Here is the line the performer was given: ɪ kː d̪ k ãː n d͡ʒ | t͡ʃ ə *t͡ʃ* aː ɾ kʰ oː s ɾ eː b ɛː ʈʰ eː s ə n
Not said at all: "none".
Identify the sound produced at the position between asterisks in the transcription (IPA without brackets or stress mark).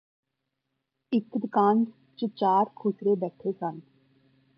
t͡ʃ